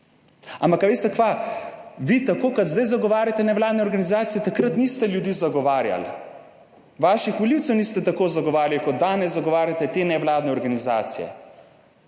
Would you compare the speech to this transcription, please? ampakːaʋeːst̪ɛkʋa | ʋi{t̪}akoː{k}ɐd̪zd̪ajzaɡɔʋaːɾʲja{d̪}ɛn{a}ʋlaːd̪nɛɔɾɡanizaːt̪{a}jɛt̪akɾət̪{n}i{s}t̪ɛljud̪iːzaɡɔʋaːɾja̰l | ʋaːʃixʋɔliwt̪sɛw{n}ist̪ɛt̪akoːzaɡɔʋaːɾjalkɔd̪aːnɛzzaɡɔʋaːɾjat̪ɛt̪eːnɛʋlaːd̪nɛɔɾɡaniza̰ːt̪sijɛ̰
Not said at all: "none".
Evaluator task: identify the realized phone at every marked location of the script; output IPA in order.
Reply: t̪, k, t̪, ɛ, i, n, s, n

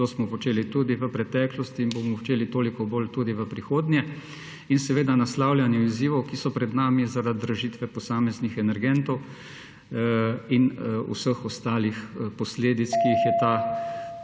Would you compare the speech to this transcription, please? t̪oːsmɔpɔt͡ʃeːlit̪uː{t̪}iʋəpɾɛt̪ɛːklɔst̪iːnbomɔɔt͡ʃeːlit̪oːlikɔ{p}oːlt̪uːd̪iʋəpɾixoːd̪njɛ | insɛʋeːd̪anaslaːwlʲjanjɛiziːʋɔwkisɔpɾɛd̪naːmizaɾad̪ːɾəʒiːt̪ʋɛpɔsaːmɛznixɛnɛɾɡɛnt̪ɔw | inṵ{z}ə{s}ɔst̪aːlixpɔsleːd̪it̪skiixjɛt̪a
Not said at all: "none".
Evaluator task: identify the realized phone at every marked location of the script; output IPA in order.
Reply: d̪, b, s, x

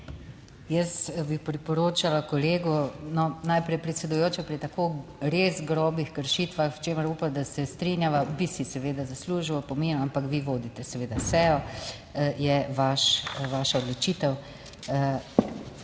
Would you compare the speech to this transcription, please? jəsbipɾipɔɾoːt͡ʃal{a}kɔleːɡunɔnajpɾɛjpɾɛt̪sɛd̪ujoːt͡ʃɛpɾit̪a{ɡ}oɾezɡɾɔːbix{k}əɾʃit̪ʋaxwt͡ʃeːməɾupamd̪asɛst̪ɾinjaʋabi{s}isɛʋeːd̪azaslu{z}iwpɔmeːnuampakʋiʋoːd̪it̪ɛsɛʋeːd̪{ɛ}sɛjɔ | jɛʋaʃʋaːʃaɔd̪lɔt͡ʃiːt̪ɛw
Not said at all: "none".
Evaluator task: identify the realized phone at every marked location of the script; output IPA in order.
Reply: a, k, k, s, ʒ, a

